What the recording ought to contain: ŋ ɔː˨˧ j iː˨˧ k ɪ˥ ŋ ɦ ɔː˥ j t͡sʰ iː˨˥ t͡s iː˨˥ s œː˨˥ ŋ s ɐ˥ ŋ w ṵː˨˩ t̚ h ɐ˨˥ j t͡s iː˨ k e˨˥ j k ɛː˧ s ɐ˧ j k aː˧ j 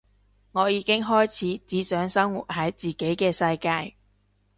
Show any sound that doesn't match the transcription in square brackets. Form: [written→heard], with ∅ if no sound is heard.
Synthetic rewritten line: ŋ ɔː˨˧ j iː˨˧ k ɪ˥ ŋ ɦ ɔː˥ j t͡sʰ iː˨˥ t͡s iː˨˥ s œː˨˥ ŋ s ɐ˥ ŋ w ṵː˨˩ t̚ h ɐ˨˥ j t͡s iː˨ k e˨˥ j k ɛː˧ s ɐ˧ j k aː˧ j